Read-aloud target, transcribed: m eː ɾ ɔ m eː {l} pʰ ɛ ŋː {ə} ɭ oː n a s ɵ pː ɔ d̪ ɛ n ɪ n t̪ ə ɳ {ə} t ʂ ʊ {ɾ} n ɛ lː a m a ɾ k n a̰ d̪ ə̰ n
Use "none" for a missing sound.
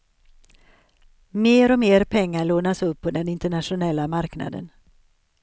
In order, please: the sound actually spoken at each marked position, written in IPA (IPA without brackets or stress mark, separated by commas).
ɾ, a, a, none